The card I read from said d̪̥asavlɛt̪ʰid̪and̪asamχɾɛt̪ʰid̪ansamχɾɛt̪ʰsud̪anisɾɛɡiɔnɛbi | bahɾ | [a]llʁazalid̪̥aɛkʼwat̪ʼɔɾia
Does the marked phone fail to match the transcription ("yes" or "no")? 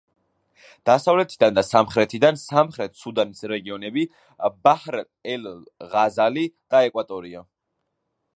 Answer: yes